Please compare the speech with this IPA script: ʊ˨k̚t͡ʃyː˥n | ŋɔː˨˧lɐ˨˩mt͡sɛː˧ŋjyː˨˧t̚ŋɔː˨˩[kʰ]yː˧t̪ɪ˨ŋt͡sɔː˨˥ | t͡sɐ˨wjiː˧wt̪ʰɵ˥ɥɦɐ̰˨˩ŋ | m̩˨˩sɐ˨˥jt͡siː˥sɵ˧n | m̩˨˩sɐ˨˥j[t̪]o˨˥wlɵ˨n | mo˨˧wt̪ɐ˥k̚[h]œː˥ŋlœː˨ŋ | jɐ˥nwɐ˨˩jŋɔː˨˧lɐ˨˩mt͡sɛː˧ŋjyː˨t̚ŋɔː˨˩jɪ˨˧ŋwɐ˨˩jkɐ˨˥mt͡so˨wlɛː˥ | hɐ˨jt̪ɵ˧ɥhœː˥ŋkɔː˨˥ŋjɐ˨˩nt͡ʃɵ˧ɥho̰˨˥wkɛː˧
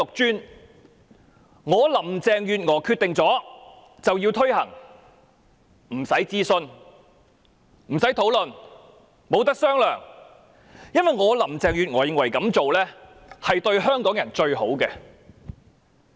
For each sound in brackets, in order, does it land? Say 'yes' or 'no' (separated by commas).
yes, no, no